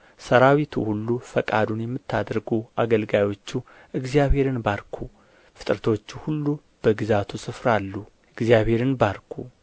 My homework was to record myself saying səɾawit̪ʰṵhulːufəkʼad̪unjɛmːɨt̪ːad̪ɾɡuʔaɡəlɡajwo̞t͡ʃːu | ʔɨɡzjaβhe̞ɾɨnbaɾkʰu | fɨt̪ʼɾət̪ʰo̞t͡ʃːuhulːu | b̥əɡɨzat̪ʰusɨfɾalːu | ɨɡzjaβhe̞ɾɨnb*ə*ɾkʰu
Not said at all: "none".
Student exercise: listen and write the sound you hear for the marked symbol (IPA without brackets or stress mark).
a